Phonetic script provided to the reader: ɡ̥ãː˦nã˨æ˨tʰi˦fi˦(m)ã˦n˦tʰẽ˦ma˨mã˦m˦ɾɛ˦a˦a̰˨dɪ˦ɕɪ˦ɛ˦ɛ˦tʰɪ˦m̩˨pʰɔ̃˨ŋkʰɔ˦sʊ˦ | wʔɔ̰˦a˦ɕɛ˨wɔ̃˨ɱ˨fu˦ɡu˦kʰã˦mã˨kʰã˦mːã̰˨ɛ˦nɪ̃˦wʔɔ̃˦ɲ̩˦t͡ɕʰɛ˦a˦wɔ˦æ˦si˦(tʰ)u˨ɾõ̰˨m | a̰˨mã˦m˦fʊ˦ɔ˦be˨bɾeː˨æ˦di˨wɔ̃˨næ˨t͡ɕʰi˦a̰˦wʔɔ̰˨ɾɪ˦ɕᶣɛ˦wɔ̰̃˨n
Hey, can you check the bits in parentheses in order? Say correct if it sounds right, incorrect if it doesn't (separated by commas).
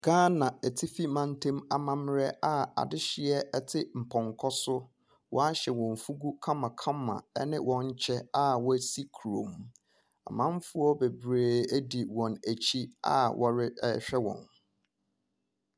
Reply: correct, incorrect